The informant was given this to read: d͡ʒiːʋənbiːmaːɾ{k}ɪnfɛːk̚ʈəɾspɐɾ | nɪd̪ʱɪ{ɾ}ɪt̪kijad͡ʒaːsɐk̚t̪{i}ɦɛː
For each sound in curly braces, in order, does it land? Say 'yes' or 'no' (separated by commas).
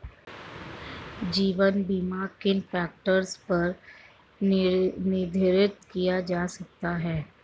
yes, yes, no